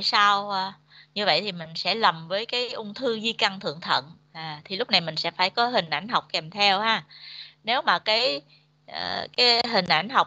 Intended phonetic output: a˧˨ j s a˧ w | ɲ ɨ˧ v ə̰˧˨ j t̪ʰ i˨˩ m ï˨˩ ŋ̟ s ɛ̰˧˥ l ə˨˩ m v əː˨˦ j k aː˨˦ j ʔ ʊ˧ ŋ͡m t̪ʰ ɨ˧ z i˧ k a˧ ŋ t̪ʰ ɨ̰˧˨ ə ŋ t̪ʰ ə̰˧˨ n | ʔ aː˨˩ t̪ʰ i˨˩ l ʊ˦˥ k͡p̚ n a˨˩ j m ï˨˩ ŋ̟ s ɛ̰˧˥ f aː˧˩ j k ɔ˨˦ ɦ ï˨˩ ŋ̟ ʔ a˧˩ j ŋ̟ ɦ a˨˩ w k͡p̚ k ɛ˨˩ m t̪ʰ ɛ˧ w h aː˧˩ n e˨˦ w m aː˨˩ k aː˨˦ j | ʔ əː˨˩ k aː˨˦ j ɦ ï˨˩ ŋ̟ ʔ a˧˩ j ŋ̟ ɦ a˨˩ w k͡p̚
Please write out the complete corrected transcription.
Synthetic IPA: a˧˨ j s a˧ w | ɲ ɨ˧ v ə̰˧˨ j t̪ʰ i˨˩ m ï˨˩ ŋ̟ s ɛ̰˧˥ l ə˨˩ m v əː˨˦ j k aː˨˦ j ʔ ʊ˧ ŋ͡m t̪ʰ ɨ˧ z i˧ k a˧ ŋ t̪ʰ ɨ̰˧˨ ə ŋ t̪ʰ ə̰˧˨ n | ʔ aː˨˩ t̪ʰ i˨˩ l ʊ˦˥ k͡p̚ n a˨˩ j m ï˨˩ ŋ̟ s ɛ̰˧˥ f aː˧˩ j k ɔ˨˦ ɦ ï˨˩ ŋ̟ ʔ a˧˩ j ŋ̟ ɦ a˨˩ w k͡p̚ k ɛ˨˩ m t̪ʰ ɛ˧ w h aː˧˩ n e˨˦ w m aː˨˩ k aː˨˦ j | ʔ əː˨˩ k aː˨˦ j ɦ ï˨˩ ŋ̟ ʔ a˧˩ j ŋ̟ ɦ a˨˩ w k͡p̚